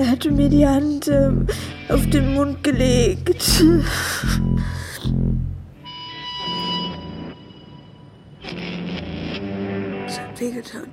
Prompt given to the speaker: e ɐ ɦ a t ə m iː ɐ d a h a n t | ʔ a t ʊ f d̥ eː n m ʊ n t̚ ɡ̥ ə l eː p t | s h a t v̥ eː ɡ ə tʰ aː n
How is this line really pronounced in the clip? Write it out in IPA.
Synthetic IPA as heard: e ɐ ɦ a t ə m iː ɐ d i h a n t | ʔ a ʊ f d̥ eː n m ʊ n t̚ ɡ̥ ə l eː k t | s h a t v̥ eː ɡ ə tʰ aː n